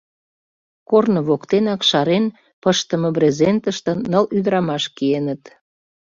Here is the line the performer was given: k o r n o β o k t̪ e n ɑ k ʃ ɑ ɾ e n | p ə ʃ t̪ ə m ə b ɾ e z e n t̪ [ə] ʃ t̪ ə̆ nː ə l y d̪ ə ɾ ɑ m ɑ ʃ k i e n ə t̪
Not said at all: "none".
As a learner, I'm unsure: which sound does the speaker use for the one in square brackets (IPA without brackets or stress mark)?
ə